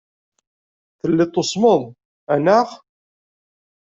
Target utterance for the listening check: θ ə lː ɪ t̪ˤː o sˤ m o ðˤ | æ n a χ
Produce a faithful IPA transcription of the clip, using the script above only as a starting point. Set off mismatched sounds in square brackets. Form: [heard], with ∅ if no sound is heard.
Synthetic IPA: θ ə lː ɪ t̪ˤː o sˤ m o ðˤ | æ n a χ